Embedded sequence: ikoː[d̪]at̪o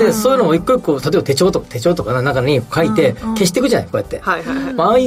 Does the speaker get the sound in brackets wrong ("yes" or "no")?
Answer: yes